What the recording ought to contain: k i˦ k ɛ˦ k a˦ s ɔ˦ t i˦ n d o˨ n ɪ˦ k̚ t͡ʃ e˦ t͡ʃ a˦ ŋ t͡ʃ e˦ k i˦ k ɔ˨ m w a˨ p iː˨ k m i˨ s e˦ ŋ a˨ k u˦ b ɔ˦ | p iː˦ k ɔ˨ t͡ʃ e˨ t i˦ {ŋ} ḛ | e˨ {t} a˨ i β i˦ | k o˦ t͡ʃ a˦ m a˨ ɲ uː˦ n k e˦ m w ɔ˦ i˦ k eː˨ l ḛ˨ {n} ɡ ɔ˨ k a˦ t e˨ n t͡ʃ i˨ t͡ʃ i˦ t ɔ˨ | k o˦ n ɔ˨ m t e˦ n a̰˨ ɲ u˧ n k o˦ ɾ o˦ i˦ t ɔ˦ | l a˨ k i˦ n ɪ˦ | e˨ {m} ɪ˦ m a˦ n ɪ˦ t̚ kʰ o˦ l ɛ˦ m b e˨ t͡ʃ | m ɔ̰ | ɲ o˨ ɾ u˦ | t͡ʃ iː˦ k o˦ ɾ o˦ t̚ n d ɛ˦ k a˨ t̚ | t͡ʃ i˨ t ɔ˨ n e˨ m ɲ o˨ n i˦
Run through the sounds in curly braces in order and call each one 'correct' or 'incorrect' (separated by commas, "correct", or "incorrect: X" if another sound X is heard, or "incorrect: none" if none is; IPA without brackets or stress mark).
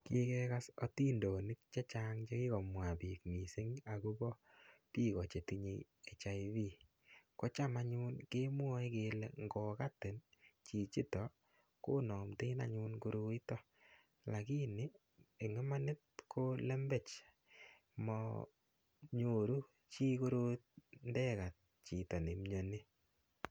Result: incorrect: ɲ, incorrect: t͡ʃ, incorrect: ŋ, incorrect: ŋ